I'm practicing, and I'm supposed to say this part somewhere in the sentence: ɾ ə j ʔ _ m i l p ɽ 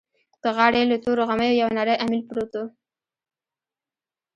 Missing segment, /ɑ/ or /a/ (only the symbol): a